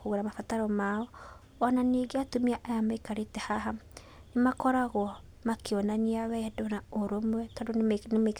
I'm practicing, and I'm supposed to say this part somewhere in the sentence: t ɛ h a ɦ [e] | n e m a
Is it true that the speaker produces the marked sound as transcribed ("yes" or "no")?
no